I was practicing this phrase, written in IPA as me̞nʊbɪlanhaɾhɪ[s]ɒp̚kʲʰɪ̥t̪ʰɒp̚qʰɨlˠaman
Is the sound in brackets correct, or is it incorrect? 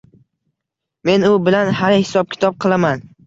correct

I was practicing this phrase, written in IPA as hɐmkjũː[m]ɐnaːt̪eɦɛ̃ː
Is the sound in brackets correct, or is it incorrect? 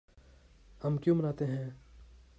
correct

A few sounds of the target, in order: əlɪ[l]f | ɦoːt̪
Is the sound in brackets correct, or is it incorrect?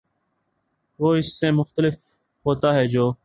incorrect: none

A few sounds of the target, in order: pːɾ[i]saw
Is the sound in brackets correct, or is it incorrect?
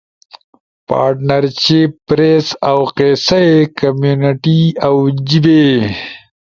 incorrect: e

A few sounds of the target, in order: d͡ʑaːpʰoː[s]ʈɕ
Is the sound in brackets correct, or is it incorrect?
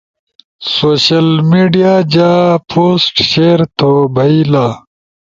correct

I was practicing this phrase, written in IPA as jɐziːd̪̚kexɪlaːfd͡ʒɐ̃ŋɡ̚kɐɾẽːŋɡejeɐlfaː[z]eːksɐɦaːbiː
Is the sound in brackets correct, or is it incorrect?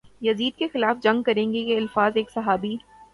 correct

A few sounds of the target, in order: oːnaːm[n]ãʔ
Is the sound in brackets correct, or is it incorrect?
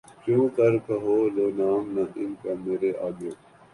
correct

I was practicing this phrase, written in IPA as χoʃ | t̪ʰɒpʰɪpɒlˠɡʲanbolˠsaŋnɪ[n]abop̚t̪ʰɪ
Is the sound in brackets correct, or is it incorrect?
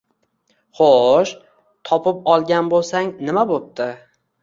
incorrect: m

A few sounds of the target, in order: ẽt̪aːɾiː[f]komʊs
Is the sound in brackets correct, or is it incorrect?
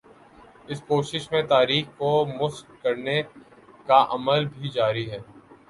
incorrect: x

